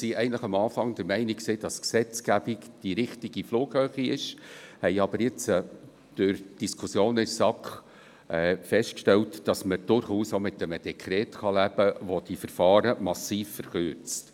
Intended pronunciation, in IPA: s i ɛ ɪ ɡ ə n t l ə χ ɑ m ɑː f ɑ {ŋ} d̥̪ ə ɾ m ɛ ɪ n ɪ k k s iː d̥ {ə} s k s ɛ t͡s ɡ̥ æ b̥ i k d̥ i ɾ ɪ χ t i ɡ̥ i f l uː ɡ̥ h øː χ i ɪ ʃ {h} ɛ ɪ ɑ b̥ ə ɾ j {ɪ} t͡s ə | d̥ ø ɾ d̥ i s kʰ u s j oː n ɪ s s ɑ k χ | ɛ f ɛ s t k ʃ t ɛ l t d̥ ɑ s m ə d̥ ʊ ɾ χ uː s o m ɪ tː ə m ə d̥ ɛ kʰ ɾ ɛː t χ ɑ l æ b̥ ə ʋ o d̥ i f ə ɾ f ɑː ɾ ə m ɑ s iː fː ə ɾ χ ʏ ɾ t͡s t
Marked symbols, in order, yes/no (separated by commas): yes, no, yes, yes